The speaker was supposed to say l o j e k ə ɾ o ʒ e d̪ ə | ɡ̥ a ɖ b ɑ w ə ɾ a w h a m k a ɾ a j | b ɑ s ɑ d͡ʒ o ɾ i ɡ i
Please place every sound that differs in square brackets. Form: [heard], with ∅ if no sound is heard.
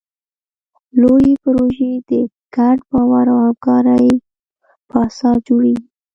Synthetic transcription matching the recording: l o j e [p] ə ɾ o ʒ e d̪ ə | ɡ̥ a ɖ b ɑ w [a] ɾ a w h a m k [ɑ] ɾ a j | [p] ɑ s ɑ d͡ʒ o [ɽ] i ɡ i